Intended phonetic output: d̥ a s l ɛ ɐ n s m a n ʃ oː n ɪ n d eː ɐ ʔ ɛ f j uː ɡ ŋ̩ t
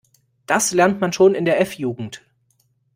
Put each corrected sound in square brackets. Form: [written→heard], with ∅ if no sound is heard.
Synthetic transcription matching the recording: d̥ a s l ɛ ɐ n [s→t] m a n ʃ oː n ɪ n d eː ɐ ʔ ɛ f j uː ɡ ŋ̩ t